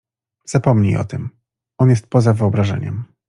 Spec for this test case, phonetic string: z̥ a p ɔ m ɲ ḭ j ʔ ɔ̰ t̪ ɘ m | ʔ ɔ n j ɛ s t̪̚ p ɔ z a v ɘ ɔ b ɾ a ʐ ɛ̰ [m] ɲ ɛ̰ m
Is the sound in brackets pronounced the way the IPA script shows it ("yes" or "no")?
no